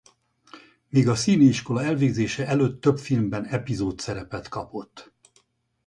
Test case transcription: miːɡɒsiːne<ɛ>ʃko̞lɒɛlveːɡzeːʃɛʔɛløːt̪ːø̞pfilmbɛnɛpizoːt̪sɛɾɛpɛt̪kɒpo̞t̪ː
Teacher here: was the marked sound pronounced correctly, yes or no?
no